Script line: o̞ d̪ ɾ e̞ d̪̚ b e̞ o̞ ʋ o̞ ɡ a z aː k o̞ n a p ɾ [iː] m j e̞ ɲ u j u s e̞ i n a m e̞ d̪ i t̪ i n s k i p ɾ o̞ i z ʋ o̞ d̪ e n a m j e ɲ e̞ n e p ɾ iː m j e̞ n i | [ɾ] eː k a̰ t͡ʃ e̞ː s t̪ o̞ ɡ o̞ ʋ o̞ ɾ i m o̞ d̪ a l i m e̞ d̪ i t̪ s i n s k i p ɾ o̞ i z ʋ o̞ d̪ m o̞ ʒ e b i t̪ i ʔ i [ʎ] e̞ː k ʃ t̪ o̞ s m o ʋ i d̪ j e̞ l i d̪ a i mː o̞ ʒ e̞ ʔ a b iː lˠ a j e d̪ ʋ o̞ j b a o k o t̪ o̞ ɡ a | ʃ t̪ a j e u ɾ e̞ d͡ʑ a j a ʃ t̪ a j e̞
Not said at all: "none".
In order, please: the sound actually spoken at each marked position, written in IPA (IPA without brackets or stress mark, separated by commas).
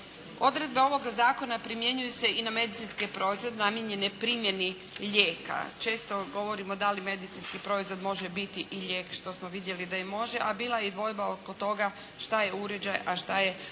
i, ʎ, ʎ